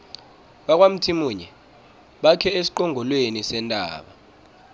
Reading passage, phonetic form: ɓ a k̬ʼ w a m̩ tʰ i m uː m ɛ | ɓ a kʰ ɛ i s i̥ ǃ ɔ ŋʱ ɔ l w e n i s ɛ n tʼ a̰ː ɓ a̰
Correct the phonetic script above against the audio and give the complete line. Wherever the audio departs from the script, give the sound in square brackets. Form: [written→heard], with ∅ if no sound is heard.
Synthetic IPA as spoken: ɓ a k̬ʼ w a m̩ tʰ i m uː [m→ɲ] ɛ | ɓ a kʰ ɛ [i→e] s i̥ ǃ ɔ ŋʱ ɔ l w e n i s ɛ n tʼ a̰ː ɓ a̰